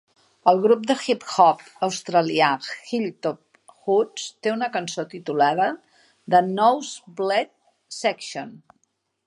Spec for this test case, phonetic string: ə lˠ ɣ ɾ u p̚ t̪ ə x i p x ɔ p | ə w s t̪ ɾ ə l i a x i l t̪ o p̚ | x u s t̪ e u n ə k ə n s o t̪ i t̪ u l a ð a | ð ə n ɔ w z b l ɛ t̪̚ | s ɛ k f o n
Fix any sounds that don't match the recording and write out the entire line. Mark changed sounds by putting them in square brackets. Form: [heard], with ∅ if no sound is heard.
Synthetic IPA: ə lˠ ɣ ɾ u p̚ [d̪] ə x i p x ɔ p | ə w s t̪ ɾ ə l i a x i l t̪ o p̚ | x u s t̪ e u n ə k ə n s o t̪ i t̪ u l a ð [ə] | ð ə n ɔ w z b l ɛ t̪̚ | s ɛ k [ʃ] o n